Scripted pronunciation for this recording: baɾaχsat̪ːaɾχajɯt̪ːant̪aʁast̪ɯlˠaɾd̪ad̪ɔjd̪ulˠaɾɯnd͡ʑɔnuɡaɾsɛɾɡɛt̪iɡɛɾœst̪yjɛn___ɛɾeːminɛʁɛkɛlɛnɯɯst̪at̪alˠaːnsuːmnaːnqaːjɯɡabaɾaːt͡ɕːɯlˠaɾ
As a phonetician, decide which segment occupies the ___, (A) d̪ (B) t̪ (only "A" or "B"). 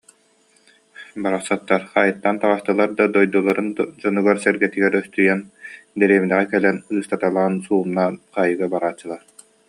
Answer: A